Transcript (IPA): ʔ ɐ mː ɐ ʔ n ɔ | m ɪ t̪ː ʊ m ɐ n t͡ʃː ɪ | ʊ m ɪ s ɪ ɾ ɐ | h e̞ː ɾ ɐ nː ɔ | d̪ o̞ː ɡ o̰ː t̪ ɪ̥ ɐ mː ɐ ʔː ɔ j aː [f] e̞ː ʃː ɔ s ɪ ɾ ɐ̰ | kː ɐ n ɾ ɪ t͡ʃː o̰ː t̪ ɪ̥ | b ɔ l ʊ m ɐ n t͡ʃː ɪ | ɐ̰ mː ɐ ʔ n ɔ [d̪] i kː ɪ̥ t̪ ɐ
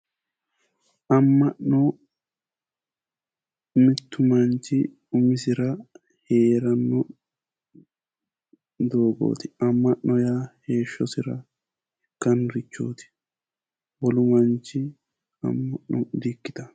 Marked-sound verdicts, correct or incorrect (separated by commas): incorrect, correct